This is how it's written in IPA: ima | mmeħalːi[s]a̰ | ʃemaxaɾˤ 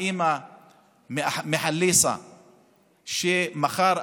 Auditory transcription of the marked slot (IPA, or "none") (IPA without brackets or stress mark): s